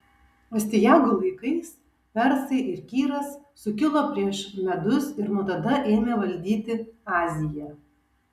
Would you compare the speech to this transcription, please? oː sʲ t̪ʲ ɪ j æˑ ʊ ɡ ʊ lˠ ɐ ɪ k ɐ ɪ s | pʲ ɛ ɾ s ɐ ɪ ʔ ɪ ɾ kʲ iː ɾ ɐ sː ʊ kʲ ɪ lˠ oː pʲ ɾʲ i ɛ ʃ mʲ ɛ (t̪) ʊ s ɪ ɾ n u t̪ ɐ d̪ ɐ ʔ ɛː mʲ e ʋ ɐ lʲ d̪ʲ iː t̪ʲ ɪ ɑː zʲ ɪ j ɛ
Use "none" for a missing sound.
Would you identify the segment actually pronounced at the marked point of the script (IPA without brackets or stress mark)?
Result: d̪